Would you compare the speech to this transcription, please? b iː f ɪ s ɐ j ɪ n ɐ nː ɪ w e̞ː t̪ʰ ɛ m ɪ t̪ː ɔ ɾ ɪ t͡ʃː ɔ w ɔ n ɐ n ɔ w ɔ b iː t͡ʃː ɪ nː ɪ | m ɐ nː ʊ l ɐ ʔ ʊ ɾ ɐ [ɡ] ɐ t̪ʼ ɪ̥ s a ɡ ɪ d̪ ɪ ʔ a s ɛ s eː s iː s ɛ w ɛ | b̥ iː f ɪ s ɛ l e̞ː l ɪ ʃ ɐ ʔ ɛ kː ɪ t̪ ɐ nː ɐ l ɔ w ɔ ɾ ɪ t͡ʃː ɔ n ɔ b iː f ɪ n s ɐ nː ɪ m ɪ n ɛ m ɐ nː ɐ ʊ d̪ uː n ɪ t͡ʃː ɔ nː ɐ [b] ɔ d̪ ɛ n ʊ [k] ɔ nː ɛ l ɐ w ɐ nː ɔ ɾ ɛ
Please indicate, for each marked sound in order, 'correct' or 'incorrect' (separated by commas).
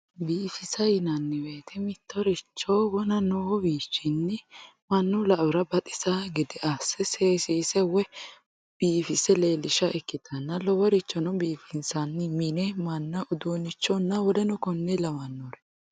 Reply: incorrect, incorrect, correct